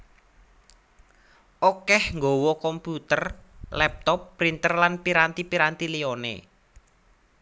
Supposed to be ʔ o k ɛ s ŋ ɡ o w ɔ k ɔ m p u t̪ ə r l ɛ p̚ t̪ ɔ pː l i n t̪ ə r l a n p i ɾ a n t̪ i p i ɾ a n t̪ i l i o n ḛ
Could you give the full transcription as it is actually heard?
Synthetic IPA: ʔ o k ɛ h ŋ ɡ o w ɔ k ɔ m p u t̪ ə r l ɛ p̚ t̪ ɔ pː ɾ i n t̪ ə r l a n p i ɾ a n t̪ i p i ɾ a n t̪ i l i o n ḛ

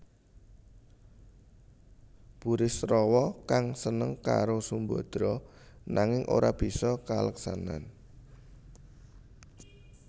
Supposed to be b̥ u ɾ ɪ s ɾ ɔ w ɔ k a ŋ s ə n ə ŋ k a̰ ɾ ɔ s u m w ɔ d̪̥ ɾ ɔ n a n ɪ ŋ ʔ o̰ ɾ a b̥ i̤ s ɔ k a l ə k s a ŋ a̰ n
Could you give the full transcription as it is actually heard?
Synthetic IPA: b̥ u ɾ ɪ s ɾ ɔ w ɔ k a ŋ s ə n ə ŋ k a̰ ɾ o s u m b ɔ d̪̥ ɾ ɔ n a ŋ ɪ ŋ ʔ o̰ ɾ a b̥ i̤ s ɔ k a l ə k s a n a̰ n

